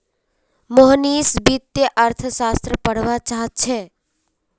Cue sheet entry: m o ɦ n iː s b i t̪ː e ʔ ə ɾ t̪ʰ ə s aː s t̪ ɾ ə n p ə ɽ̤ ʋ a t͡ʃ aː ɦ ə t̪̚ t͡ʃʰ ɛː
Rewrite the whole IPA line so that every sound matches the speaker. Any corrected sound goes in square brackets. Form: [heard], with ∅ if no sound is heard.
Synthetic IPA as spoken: m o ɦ n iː s b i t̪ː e ʔ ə ɾ t̪ʰ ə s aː s t̪ ɾ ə [∅] p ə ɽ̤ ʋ a t͡ʃ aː ɦ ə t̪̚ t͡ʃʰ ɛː